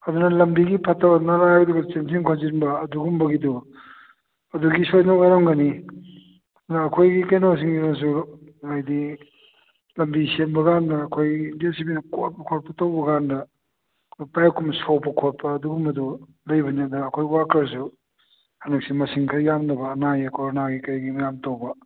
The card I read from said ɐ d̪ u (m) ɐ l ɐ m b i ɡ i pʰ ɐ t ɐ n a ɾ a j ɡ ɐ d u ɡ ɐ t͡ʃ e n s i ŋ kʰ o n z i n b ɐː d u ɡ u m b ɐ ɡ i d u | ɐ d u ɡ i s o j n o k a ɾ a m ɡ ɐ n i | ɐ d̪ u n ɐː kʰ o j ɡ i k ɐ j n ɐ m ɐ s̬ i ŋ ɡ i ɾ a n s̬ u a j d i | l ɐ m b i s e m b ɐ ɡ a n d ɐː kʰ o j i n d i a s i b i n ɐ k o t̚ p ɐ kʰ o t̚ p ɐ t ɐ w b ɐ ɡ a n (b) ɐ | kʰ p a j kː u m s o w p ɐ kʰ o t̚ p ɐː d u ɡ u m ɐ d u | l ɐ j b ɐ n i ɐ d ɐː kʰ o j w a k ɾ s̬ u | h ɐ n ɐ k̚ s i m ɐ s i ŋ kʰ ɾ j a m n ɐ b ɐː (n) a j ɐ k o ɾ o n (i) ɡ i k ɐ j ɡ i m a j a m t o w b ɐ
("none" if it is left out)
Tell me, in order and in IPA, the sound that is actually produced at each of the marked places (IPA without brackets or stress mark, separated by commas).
n, d, n, a